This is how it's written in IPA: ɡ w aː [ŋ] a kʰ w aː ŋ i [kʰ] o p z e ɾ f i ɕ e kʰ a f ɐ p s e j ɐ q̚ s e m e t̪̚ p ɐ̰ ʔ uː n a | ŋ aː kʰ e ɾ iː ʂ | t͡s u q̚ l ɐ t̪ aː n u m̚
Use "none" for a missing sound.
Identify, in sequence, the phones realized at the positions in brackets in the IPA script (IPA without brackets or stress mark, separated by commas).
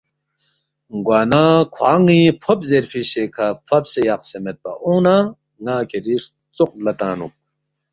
n, pʰ